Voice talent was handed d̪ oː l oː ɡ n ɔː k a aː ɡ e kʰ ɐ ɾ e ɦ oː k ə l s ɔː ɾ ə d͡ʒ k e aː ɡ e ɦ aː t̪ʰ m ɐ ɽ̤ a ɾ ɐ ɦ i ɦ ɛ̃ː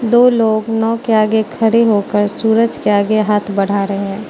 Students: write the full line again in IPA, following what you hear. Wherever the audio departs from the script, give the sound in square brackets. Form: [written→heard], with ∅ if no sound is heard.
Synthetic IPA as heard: d̪ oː l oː ɡ n ɔː k [a→e] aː ɡ e kʰ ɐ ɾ e ɦ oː k ə [l→ɾ] s [ɔː→uː] ɾ ə d͡ʒ k e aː ɡ e ɦ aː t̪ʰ [m→b] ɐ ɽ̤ a ɾ ɐ ɦ [i→e] ɦ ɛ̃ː